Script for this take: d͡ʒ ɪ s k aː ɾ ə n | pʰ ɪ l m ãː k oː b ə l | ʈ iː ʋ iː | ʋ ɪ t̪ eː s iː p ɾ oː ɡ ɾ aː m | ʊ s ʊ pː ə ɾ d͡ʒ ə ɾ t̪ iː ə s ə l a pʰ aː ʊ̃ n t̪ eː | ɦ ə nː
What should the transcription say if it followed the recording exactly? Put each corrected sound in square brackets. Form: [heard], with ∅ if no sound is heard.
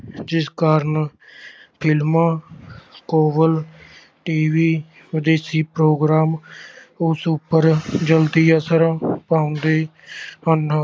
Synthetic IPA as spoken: d͡ʒ ɪ s k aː ɾ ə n | pʰ ɪ l m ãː k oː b ə l | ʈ iː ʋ iː | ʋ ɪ [d̪] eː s iː p ɾ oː ɡ ɾ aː m | ʊ s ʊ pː ə ɾ d͡ʒ ə [l] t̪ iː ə s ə [ɾ] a [p] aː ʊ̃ n [d̪] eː | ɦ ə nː